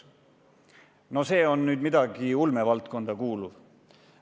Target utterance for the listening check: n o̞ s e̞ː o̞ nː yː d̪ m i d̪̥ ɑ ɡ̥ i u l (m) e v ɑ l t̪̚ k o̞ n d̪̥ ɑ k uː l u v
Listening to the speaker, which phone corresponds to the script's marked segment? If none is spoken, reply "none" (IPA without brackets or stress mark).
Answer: m